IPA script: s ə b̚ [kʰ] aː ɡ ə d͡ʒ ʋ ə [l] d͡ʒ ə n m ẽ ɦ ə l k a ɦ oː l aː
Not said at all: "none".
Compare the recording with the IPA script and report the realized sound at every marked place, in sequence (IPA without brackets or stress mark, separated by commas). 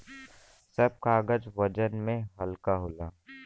k, none